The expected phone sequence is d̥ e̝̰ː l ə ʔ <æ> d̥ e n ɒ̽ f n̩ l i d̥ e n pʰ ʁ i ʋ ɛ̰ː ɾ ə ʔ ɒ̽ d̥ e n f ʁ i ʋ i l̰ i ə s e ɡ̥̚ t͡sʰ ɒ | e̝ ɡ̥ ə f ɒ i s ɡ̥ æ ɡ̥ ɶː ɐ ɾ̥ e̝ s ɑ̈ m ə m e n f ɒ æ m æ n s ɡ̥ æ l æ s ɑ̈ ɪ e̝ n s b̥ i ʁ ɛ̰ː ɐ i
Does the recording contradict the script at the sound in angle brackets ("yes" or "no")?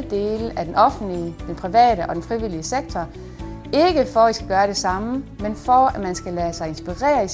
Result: no